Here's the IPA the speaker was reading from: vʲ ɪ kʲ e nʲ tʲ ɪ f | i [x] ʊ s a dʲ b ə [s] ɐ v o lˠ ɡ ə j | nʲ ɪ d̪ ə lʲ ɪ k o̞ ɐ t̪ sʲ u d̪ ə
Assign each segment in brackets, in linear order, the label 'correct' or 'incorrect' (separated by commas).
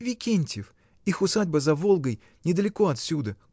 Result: correct, incorrect